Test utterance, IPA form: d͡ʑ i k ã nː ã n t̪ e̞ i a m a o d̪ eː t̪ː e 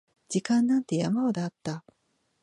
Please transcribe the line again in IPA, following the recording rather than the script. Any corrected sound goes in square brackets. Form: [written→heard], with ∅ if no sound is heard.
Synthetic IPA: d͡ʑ i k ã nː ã n t̪ e̞ [i→j] a m a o d̪ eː t̪ː [e→a]

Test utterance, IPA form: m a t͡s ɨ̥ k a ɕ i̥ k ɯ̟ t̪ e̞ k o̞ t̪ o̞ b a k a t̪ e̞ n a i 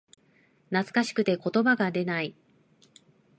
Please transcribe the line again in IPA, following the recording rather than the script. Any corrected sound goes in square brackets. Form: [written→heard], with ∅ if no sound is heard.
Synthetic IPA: [m→n] a t͡s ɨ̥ k a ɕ i̥ k ɯ̟ t̪ e̞ k o̞ t̪ o̞ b a [k→ɡ] a [t̪→d̪] e̞ n a i

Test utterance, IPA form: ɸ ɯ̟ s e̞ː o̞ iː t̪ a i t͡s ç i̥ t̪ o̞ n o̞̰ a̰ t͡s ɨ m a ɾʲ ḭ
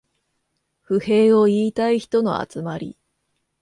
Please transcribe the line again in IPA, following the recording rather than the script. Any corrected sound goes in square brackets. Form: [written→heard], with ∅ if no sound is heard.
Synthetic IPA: ɸ ɯ̟ [s→h] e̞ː o̞ iː t̪ a i [t͡s→∅] ç i̥ t̪ o̞ n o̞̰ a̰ t͡s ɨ m a ɾʲ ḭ

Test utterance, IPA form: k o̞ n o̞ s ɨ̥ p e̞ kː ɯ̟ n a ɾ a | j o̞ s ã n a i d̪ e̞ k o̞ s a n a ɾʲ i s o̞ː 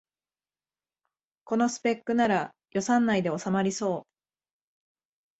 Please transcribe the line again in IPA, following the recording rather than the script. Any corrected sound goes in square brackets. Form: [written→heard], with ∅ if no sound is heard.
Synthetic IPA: k o̞ n o̞ s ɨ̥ p e̞ kː ɯ̟ n a ɾ a | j o̞ s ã [n→nː] a i d̪ e̞ [k→∅] o̞ s a [n→m] a ɾʲ i s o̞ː

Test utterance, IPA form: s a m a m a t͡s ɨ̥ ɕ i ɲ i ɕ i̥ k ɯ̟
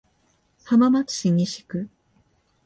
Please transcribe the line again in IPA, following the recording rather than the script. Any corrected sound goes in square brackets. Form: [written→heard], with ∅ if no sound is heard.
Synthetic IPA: [s→h] a m a m a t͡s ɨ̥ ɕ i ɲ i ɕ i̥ k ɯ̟

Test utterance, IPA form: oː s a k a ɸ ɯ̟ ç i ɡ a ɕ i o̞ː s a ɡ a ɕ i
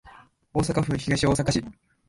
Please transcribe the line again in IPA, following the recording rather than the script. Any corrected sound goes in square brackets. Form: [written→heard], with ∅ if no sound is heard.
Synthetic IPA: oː s a k a ɸ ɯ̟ ç i ɡ a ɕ i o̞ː s a [ɡ→k] a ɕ i

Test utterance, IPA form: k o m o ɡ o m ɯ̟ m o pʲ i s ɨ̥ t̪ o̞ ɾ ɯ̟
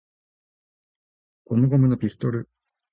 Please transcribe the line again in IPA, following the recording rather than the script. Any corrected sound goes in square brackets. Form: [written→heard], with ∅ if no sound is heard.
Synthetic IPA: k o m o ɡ o m ɯ̟ [m→n] o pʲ i s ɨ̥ t̪ o̞ ɾ ɯ̟

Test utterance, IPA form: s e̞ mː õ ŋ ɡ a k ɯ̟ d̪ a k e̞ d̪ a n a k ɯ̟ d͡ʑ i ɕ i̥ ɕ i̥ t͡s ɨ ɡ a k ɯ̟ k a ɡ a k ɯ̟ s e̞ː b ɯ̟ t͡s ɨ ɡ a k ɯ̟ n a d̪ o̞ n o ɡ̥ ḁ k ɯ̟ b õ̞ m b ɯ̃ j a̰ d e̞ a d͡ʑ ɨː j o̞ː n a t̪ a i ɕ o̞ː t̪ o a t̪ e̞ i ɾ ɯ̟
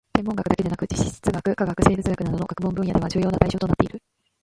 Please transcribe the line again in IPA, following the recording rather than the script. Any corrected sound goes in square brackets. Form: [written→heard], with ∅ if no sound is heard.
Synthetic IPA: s e̞ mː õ ŋ ɡ a k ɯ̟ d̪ a k e̞ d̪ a n a k ɯ̟ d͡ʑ i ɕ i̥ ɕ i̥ t͡s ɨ ɡ a k ɯ̟ k a ɡ a k ɯ̟ s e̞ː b ɯ̟ t͡s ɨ ɡ a k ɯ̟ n a d̪ o̞ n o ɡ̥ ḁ k ɯ̟ b õ̞ m b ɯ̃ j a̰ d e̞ a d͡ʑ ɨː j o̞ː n a t̪ a i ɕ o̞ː t̪ o a t̪ e̞ i ɾ ɯ̟

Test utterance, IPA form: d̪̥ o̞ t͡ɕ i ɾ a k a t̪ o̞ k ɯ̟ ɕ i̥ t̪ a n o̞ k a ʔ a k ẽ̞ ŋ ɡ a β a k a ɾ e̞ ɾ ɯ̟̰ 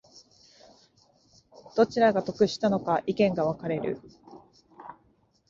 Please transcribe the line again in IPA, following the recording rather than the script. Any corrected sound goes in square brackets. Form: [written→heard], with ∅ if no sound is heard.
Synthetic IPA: d̪̥ o̞ t͡ɕ i ɾ a [k→ɡ] a t̪ o̞ k ɯ̟ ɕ i̥ t̪ a n o̞ k a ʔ [a→i] k ẽ̞ ŋ ɡ a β a k a ɾ e̞ ɾ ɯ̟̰

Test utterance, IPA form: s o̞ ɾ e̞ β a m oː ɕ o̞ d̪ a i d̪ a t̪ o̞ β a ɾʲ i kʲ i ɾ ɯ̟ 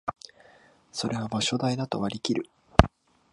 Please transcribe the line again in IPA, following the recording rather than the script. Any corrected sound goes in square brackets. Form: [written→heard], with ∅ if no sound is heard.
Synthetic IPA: s o̞ ɾ e̞ β a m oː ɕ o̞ d̪ a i d̪ a t̪ o̞ β a ɾʲ i kʲ i ɾ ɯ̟

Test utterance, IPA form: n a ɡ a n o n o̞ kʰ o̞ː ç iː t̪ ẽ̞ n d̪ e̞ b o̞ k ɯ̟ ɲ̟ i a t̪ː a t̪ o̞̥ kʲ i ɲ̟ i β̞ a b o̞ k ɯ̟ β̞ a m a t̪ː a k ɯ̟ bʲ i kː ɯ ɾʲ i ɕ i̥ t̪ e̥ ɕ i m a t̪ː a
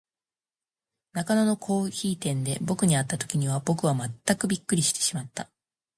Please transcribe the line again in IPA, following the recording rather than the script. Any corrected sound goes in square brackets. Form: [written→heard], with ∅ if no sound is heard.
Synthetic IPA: n a [ɡ→k] a n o n o̞ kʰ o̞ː ç iː t̪ ẽ̞ n d̪ e̞ b o̞ k ɯ̟ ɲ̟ i a t̪ː a t̪ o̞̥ kʲ i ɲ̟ i β̞ a b o̞ k ɯ̟ β̞ a m a t̪ː a k ɯ̟ bʲ i kː ɯ ɾʲ i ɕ i̥ t̪ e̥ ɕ i m a t̪ː a

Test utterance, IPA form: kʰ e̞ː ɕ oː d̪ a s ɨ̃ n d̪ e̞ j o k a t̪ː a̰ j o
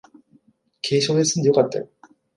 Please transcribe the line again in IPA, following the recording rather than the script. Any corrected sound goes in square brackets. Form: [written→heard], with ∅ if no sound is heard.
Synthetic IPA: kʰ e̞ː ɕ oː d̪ [a→e] s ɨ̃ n d̪ e̞ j o k a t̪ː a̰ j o

